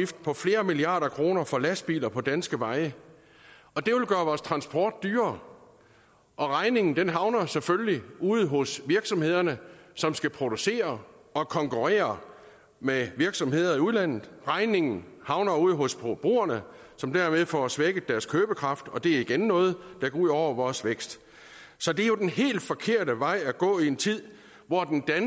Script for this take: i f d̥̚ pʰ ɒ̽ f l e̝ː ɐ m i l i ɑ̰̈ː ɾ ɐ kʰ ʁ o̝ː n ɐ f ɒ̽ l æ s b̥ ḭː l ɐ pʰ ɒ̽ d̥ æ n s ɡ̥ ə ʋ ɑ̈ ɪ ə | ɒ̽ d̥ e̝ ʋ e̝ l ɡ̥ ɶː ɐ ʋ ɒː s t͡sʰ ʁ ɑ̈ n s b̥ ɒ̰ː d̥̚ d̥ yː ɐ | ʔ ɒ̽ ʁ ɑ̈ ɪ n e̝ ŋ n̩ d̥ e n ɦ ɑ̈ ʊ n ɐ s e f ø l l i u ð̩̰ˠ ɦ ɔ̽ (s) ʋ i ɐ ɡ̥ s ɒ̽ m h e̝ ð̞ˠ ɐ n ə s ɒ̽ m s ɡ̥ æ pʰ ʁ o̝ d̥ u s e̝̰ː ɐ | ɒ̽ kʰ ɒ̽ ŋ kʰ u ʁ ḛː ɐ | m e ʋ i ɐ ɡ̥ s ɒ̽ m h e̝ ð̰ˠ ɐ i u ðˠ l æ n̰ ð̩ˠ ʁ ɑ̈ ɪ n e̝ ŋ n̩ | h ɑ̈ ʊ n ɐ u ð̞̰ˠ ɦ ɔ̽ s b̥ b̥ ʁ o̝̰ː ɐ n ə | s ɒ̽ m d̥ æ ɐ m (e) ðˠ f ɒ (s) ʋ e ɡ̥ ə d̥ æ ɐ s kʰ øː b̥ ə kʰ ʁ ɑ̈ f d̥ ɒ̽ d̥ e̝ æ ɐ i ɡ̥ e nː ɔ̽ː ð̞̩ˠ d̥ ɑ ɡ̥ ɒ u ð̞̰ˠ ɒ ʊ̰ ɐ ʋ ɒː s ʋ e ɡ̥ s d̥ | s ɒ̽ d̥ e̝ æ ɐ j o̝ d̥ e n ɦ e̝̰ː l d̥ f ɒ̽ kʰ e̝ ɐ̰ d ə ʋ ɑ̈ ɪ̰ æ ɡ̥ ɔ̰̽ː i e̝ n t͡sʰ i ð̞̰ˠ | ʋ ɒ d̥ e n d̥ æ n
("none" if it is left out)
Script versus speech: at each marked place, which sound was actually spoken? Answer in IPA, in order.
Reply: s, e, s

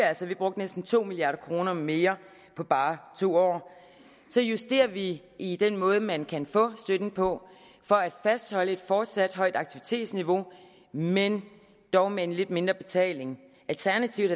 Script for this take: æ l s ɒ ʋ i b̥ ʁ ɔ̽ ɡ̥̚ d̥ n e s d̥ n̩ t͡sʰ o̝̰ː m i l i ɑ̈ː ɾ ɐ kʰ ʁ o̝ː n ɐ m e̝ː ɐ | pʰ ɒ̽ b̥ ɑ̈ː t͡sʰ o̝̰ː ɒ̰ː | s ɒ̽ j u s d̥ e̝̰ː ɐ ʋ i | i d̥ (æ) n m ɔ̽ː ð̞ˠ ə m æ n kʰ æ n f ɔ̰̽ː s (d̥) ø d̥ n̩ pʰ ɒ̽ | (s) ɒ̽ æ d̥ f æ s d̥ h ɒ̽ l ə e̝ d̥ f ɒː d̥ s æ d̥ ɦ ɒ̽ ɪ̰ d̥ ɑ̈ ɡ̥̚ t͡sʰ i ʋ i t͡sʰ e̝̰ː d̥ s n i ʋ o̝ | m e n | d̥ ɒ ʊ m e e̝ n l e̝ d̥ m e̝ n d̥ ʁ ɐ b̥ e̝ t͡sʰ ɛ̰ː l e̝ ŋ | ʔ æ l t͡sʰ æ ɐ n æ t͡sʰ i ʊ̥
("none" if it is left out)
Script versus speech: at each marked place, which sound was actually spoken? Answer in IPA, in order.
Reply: e, d̥, f

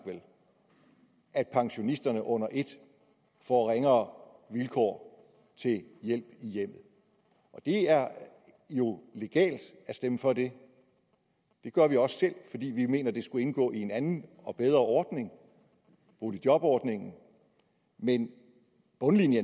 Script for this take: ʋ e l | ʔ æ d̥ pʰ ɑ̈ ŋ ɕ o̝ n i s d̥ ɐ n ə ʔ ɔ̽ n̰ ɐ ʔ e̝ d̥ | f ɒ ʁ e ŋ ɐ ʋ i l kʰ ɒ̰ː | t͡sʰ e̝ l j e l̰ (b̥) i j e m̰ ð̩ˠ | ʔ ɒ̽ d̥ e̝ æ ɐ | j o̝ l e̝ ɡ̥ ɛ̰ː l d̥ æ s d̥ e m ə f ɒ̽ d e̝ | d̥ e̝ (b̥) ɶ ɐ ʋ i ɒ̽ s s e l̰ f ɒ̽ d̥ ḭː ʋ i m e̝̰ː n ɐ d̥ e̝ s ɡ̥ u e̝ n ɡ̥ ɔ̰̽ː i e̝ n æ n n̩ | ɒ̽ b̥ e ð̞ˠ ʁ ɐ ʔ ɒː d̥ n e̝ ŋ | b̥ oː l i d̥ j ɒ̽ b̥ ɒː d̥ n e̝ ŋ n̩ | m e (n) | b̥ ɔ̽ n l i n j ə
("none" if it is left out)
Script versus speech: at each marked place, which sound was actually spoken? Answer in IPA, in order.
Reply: b̥, ɡ̥, n

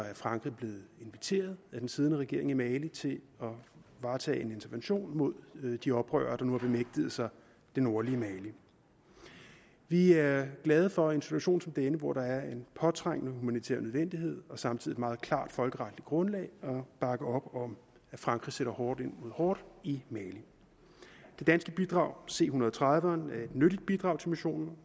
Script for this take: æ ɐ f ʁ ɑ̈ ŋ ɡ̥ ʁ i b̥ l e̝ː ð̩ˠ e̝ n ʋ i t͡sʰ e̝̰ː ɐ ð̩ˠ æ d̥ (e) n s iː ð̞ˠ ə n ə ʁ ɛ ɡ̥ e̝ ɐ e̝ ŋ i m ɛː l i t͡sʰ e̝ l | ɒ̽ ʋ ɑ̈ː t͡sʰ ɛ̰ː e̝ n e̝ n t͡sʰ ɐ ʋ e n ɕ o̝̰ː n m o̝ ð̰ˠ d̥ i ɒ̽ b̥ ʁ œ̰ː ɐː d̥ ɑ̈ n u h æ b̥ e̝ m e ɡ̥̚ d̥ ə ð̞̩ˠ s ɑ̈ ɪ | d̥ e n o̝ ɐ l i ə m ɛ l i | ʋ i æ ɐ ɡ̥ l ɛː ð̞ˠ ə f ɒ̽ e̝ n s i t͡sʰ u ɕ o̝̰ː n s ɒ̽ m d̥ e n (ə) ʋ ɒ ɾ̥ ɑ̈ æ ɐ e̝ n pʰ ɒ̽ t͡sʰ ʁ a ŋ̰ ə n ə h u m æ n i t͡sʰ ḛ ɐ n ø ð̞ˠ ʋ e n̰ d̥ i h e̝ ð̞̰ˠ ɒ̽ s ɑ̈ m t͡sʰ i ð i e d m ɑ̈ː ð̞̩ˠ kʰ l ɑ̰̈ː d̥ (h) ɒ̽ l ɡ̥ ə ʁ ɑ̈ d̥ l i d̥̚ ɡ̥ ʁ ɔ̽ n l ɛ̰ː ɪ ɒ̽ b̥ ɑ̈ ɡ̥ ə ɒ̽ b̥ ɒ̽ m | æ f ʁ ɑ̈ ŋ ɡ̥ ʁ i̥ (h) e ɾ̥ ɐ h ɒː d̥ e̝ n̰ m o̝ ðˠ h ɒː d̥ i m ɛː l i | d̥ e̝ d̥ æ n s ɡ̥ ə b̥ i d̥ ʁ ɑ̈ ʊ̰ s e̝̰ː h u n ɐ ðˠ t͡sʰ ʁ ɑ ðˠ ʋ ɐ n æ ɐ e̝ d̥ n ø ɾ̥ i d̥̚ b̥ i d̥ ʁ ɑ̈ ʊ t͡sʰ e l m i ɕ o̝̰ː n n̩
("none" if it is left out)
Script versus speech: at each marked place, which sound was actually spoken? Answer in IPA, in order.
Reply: e, ə, f, s

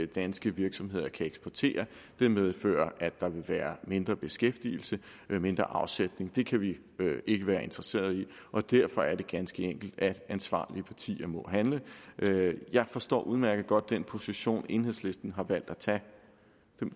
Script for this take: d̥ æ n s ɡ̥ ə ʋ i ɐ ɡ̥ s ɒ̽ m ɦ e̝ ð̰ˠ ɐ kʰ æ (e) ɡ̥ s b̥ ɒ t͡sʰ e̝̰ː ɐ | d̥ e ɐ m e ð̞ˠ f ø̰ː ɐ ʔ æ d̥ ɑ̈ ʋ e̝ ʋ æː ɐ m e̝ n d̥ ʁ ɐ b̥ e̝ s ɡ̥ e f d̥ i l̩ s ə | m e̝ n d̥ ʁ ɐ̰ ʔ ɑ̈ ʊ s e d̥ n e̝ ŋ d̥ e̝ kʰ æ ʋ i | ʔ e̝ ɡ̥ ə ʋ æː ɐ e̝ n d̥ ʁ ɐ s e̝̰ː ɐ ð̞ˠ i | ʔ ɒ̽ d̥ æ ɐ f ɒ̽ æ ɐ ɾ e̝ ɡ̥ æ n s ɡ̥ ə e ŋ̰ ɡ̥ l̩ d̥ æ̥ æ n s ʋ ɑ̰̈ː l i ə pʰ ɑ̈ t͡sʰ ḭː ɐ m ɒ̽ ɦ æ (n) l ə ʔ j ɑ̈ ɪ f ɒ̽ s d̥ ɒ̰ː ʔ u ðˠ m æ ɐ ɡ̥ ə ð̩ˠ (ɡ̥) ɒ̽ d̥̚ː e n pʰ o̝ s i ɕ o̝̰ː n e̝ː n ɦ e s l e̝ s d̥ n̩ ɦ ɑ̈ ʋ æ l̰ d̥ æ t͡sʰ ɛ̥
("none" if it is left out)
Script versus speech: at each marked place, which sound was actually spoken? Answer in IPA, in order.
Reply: e, n, ɡ̥

